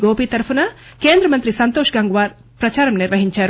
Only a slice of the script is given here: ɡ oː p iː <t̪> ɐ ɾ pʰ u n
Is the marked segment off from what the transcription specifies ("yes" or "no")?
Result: no